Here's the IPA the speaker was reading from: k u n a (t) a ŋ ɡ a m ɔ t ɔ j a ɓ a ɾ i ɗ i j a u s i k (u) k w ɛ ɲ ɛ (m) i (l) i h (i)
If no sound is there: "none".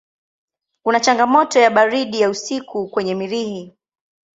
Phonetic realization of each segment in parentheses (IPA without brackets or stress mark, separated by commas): t͡ʃ, u, m, ɾ, i